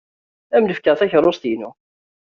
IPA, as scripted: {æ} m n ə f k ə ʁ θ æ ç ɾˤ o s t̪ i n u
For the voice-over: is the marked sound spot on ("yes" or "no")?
yes